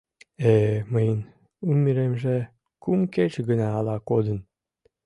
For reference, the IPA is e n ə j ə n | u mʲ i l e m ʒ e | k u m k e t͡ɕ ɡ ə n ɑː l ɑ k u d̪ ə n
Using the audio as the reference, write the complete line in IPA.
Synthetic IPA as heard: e m ə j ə n | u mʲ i ɾ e m ʒ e | k u m k e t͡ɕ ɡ ə n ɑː l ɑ k o d̪ ə n